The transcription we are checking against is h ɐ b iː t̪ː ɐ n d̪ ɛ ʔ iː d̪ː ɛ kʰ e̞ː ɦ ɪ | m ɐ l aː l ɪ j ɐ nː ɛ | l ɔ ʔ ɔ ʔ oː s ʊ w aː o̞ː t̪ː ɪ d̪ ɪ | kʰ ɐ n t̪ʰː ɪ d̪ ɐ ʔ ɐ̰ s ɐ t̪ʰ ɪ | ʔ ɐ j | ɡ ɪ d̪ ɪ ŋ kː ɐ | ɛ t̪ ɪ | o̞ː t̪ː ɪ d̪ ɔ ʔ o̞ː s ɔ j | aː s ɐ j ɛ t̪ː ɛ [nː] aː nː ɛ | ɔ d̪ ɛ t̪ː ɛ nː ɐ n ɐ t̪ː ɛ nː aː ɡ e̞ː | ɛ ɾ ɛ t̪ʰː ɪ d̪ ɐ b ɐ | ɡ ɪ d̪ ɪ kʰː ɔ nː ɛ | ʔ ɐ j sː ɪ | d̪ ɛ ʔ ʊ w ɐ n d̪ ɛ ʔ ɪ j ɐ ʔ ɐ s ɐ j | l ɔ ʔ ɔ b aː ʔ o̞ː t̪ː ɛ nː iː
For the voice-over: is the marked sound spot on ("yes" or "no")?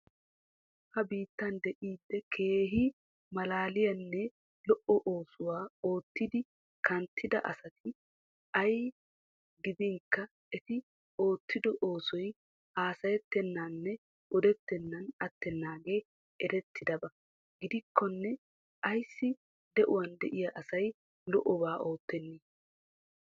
yes